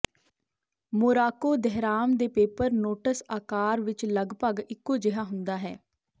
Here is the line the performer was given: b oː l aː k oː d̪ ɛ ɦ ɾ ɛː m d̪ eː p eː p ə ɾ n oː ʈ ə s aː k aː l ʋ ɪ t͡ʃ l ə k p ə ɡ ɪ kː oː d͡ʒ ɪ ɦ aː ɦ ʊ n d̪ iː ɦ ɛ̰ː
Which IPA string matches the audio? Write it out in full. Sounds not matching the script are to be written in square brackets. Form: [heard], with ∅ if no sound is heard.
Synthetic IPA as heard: [m] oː [ɾ] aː k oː d̪ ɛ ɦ ɾ [aː] m d̪ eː p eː p ə ɾ n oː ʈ ə s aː k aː [ɾ] ʋ ɪ t͡ʃ l ə [ɡ] p ə ɡ ɪ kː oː d͡ʒ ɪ ɦ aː ɦ ʊ n d̪ [aː] ɦ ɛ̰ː